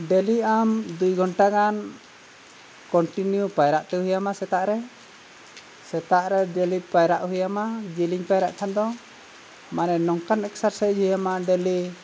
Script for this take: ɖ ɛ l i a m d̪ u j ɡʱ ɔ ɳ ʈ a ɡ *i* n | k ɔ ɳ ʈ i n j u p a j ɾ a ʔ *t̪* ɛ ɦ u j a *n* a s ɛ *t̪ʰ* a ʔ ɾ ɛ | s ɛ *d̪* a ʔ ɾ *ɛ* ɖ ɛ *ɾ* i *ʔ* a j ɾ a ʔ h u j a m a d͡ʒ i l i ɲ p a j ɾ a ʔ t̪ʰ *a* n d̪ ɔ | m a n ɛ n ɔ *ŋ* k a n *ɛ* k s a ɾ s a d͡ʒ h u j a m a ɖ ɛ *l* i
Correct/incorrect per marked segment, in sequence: incorrect: a, correct, incorrect: m, incorrect: t̪, incorrect: t̪, correct, incorrect: l, incorrect: p, correct, correct, correct, correct

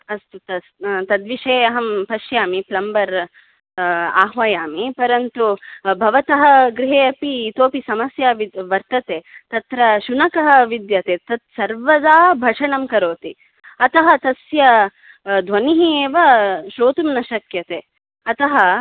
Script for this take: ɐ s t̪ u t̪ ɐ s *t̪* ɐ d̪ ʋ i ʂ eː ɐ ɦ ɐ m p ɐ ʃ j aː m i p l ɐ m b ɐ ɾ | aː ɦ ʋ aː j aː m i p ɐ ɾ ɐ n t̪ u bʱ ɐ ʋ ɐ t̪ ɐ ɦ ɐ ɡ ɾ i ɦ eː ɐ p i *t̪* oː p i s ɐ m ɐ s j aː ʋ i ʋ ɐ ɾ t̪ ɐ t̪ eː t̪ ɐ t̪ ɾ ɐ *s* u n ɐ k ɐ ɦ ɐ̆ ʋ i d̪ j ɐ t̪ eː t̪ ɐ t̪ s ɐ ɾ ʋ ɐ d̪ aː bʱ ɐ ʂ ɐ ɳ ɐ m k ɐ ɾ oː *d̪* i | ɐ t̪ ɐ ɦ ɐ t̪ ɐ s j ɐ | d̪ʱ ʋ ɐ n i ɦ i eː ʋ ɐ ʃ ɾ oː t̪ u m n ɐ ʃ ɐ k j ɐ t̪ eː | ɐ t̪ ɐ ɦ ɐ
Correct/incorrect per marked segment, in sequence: correct, correct, incorrect: ʃ, incorrect: t̪

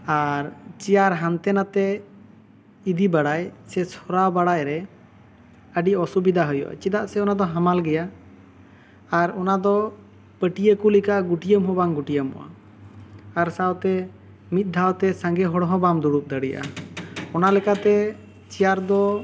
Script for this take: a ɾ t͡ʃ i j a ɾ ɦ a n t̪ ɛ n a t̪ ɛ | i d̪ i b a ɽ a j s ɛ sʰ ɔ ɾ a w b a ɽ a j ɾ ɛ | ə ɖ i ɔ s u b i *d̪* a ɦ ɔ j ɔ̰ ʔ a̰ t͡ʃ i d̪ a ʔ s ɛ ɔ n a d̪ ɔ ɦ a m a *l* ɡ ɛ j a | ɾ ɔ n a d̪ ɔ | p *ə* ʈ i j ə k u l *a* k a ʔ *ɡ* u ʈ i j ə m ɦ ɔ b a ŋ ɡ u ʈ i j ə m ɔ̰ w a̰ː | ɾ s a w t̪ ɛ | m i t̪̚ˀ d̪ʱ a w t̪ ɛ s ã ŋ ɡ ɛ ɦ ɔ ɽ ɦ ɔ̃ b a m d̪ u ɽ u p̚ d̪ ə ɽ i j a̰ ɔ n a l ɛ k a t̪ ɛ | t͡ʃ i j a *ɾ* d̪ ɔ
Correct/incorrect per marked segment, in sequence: correct, correct, correct, incorrect: i, correct, correct

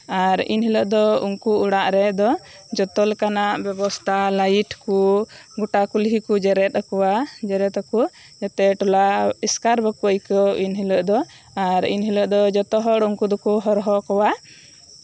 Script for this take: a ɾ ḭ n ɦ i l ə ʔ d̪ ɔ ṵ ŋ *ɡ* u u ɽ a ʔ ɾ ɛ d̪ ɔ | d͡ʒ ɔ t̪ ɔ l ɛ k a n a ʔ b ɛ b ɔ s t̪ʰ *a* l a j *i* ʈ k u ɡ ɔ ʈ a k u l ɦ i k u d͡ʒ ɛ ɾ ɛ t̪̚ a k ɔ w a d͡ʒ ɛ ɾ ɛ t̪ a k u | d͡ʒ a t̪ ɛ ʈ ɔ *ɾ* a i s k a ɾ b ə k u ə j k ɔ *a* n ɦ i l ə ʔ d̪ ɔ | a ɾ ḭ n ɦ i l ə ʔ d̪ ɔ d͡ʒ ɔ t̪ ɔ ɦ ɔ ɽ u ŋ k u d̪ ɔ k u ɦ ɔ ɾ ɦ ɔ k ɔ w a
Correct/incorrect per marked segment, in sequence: incorrect: k, correct, correct, incorrect: l, incorrect: i

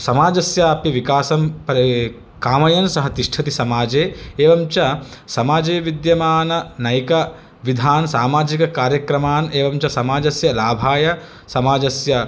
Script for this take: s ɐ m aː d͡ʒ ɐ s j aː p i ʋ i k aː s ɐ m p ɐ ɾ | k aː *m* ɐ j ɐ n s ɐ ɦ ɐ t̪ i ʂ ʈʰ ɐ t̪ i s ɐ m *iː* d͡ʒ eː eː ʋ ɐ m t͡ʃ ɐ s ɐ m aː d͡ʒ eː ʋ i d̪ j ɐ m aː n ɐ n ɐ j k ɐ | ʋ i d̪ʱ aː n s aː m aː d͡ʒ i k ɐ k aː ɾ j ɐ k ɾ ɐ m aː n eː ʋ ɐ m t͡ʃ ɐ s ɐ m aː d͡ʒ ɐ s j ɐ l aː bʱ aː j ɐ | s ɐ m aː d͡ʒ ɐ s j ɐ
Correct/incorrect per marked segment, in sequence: correct, incorrect: aː

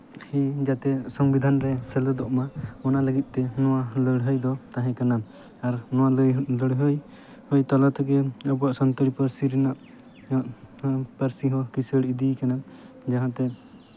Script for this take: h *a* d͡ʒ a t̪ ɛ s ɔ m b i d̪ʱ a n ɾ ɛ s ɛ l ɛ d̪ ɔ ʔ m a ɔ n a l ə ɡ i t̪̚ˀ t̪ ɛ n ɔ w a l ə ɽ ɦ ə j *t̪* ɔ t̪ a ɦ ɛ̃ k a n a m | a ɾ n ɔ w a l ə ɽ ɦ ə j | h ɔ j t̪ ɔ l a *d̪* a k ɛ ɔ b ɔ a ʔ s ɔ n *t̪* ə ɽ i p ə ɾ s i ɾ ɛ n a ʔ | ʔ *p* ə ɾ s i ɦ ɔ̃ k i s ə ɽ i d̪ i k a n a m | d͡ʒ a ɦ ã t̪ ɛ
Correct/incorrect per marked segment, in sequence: incorrect: i, incorrect: d̪, incorrect: t̪, correct, correct

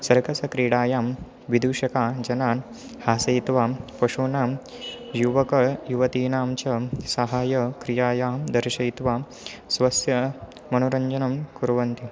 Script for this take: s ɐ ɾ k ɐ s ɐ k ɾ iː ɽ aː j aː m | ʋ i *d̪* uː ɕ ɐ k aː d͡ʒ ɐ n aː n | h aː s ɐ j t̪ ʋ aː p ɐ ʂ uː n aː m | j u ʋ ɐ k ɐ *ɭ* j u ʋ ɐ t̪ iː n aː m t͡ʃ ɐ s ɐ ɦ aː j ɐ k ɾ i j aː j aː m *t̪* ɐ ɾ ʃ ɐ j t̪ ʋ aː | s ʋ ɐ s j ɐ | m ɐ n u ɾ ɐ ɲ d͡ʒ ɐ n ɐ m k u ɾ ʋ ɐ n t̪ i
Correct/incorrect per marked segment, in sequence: correct, correct, incorrect: d̪

